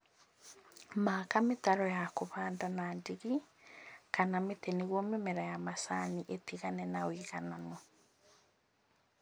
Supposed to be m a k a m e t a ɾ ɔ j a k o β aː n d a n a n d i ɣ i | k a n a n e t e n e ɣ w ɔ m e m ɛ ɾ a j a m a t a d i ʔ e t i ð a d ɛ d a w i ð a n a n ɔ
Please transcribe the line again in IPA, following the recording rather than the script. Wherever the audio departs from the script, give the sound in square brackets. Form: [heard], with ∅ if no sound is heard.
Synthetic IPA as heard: m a k a m e t a ɾ ɔ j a k o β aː n d a n a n d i ɣ i | k a n a [m] e t e n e ɣ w ɔ m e m ɛ ɾ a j a m a [s] a [n] i ʔ e t i [ɣ] a [n] ɛ [n] a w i [ɣ] a n a n ɔ